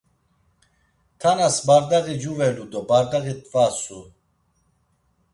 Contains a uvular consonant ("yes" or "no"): no